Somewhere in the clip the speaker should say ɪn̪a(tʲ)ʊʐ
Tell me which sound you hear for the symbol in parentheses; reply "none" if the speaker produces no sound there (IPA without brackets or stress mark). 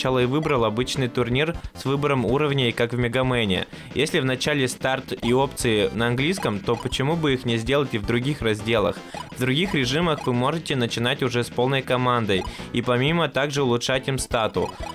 tʲ